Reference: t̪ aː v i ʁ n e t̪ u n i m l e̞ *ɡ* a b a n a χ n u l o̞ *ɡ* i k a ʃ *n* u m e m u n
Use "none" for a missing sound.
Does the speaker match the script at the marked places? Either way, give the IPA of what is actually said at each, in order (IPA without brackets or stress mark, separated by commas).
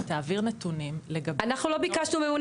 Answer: ɡ, b, n